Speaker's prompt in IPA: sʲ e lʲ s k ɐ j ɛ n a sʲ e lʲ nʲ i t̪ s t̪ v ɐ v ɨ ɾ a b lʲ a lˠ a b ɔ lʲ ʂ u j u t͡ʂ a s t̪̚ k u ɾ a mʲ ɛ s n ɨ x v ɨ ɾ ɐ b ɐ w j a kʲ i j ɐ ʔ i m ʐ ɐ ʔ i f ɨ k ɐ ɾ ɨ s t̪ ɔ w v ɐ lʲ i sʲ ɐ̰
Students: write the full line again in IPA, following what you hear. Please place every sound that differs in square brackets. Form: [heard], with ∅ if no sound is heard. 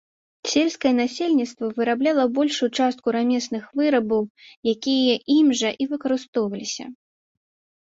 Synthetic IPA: sʲ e lʲ s k ɐ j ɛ n a sʲ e lʲ nʲ i t̪ s t̪ v ɐ v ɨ ɾ a b lʲ a lˠ [ɐ] b ɔ lʲ ʂ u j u t͡ʂ a s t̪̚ k u ɾ a mʲ ɛ s n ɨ x v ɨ ɾ ɐ b ɐ w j a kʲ i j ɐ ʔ i m ʐ ɐ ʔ i [v] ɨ k ɐ ɾ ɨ s t̪ ɔ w v ɐ lʲ i sʲ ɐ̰